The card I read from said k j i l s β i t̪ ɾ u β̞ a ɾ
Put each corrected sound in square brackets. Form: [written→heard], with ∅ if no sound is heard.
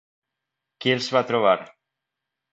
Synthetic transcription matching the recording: k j [i→e] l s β [i→a] t̪ ɾ [u→o] β̞ a ɾ